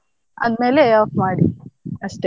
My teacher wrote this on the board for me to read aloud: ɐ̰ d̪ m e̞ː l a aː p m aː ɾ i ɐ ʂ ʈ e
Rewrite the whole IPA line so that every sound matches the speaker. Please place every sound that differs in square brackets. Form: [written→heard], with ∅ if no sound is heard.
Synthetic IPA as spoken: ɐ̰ d̪ m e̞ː l [a→e] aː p m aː [ɾ→ɽ] i ɐ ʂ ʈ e